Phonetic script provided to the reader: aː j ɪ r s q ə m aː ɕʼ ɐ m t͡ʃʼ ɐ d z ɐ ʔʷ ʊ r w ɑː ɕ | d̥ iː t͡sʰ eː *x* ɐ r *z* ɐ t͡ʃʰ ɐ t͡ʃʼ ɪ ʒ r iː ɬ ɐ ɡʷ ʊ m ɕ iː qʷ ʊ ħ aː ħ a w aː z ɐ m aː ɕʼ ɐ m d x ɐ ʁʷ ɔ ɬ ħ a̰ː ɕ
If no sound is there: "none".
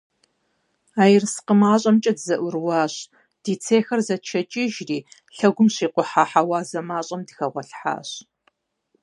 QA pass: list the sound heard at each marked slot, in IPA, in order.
x, z

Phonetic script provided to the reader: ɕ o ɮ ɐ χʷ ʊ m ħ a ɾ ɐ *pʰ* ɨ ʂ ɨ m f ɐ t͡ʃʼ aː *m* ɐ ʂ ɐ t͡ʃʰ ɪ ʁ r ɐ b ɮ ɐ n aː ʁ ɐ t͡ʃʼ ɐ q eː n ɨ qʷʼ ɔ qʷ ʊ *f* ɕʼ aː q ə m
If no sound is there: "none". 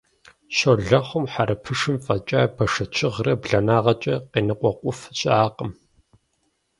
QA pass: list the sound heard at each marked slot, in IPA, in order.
pʰ, b, f

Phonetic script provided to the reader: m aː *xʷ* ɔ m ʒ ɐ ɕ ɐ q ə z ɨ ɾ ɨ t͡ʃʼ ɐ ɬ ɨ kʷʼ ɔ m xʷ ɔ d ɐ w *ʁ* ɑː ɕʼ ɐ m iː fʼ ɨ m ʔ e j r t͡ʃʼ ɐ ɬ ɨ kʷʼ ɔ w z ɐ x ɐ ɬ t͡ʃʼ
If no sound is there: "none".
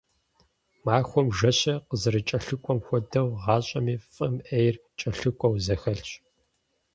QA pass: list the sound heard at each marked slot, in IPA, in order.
xʷ, ʁ

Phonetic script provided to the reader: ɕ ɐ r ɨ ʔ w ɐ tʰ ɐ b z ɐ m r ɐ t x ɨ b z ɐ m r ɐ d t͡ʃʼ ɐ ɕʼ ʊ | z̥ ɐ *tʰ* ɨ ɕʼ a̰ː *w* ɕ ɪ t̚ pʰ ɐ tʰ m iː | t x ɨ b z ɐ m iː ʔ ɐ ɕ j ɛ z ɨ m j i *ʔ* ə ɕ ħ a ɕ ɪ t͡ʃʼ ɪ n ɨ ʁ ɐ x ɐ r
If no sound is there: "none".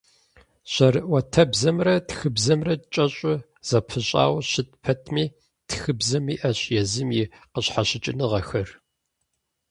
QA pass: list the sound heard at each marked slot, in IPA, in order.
pʰ, w, q

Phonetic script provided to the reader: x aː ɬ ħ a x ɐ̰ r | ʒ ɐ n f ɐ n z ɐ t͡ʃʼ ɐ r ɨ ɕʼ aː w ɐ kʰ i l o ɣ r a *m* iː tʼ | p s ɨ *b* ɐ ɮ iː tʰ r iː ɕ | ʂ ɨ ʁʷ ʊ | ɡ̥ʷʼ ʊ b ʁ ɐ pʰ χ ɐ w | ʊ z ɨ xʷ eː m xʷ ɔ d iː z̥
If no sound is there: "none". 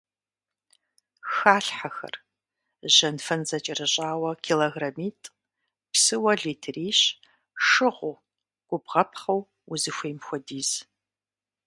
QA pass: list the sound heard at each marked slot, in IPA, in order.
m, w

